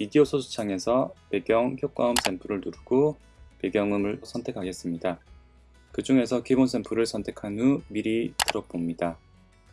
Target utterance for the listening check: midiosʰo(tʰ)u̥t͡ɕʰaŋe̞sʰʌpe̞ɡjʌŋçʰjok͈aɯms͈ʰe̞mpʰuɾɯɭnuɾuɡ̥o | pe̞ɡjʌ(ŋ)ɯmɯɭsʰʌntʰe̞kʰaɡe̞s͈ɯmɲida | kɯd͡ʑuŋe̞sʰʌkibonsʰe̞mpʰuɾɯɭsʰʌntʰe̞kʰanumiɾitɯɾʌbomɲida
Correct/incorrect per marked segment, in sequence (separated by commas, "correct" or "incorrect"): incorrect, correct